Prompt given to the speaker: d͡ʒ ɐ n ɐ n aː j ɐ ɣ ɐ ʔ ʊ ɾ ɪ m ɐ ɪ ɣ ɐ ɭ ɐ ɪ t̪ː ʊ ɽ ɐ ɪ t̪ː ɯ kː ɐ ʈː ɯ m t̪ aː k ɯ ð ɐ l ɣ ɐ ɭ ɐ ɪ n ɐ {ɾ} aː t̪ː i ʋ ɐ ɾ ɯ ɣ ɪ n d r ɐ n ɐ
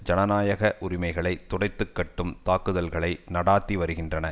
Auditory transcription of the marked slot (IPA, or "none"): ɽ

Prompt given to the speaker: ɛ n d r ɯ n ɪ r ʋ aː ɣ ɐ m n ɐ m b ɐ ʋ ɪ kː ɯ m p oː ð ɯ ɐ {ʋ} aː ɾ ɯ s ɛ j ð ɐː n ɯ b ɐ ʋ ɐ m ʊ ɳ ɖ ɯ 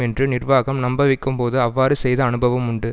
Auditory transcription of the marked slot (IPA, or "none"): ʋː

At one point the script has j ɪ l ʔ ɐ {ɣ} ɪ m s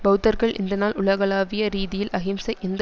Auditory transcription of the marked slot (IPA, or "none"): ɣ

